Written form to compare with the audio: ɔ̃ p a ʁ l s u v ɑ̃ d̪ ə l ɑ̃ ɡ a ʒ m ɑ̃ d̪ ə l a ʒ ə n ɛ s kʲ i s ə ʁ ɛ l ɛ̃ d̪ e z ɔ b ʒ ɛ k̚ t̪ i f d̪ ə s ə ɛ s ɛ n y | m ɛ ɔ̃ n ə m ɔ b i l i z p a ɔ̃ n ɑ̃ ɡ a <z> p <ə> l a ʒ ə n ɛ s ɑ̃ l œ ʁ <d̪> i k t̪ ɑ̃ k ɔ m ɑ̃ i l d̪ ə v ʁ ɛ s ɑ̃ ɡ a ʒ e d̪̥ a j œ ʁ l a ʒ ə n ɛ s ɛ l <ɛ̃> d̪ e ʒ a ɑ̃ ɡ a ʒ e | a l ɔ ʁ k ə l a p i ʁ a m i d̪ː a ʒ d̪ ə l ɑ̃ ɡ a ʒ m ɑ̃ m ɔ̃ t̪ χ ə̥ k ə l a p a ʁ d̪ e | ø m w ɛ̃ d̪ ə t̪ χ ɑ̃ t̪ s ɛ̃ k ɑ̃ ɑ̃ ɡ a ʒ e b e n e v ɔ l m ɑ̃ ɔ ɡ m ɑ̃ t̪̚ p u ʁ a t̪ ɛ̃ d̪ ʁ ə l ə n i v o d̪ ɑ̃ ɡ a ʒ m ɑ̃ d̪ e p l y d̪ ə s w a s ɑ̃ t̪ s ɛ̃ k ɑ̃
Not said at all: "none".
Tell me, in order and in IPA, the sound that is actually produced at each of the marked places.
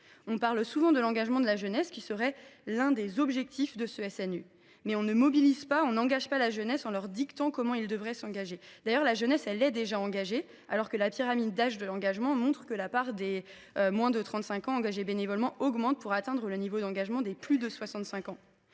ʒ, a, d̪, ɛ

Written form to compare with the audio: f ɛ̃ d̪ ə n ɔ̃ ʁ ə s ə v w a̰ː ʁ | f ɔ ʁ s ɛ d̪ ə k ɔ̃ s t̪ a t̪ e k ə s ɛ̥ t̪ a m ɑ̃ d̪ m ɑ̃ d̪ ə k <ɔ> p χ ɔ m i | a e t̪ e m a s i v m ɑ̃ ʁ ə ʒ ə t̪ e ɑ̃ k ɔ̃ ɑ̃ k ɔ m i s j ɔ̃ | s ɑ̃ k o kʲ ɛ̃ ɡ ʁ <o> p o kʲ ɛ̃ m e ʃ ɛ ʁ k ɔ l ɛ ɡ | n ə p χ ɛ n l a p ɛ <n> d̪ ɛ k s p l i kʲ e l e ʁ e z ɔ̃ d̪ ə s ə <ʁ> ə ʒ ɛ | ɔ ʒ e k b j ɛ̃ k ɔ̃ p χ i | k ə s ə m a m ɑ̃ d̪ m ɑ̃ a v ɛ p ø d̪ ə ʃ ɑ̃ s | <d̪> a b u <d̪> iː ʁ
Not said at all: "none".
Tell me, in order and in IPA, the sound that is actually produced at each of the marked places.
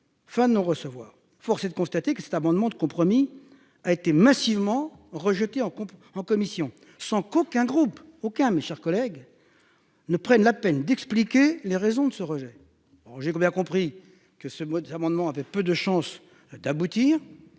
ɔ̃, u, n, ʁ, d̪, t̪

